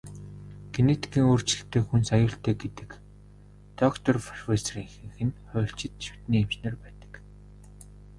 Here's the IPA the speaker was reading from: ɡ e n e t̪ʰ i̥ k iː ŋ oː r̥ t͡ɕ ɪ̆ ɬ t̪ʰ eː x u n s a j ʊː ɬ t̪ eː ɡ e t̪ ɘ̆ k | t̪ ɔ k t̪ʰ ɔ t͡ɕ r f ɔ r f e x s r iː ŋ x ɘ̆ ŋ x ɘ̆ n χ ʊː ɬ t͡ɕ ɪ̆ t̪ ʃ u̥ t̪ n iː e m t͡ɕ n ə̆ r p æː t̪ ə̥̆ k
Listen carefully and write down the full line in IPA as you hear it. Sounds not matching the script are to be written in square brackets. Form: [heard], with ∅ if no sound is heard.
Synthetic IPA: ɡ e n e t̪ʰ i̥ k iː ŋ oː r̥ t͡ɕ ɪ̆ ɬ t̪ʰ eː x u n s a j ʊː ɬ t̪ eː ɡ e t̪ ɘ̆ k | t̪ ɔ k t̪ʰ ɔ [∅] r f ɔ r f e [∅] s r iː ŋ x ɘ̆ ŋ x ɘ̆ n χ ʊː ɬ t͡ɕ ɪ̆ t̪ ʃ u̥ t̪ n iː e m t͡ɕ n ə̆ r p æː t̪ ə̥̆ k